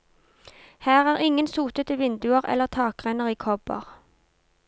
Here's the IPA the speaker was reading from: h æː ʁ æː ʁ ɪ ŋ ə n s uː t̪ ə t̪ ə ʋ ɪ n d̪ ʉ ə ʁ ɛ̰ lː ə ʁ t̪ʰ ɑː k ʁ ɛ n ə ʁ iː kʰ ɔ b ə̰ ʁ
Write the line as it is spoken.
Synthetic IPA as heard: h æː ʁ æː ʁ ɪ ŋ ə n s uː t̪ ə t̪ ə ʋ ɪ n d̪ ʉ ə ʁ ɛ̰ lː ə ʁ t̪ʰ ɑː k ʁ ɛ n ə ʁ iː kʰ ɔ b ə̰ ʁ